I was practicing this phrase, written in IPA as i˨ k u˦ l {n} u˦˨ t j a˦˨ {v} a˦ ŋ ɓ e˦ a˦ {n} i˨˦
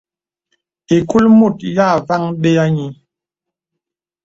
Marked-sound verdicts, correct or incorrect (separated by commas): incorrect, correct, incorrect